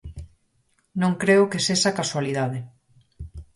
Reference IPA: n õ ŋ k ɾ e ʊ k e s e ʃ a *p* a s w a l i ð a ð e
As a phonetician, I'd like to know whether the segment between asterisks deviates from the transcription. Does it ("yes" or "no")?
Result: yes